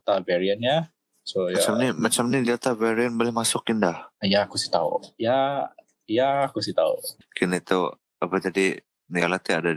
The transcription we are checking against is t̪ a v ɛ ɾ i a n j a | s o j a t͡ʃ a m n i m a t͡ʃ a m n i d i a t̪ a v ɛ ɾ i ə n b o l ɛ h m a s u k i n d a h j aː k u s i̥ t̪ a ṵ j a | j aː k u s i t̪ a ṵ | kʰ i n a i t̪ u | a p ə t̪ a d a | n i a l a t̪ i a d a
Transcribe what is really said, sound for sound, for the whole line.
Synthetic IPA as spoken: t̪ a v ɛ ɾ i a n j a | s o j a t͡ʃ a m n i m a t͡ʃ a m n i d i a t̪ a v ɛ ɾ i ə n b o l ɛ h m a s ʊ k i n d a h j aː k u s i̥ t̪ a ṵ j a | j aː k u s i t̪ a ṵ | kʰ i n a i t̪ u | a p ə t̪ a d i | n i a l a t̪ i a d a